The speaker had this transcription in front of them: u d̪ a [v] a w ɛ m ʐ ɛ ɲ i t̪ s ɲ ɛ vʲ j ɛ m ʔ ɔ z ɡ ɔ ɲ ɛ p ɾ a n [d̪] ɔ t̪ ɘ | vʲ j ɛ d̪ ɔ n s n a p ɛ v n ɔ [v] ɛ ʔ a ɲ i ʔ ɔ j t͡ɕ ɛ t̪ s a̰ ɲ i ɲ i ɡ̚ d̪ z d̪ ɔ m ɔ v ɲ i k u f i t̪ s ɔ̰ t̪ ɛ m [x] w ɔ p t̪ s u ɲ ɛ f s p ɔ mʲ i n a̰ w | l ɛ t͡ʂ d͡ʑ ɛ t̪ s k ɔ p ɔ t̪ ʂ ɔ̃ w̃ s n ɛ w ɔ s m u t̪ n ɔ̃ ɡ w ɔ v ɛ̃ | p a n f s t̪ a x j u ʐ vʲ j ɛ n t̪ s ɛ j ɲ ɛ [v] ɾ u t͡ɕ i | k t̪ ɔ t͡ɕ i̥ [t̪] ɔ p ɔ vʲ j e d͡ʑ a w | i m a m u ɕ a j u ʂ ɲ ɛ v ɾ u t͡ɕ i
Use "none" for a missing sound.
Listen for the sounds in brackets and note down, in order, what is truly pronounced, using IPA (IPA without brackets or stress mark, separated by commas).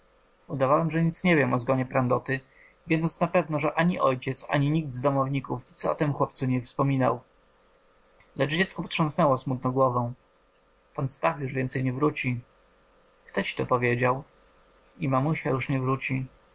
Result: v, d̪, ʐ, x, v, t̪